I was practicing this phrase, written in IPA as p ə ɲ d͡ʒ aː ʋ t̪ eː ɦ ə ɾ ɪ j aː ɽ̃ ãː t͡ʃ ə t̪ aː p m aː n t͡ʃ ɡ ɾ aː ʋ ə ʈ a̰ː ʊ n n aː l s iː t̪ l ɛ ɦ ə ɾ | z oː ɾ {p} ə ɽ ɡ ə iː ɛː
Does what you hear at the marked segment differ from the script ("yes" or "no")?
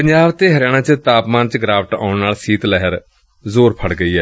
yes